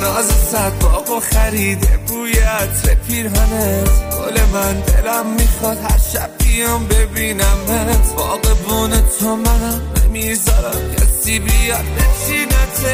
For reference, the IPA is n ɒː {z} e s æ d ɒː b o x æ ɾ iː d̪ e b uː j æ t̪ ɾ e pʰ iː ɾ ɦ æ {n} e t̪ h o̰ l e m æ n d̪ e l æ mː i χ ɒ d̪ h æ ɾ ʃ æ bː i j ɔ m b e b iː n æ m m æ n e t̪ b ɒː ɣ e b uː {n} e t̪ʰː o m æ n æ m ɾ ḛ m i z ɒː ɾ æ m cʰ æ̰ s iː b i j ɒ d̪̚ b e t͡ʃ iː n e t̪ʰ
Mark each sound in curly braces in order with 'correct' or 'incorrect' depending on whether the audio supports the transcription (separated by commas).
correct, correct, correct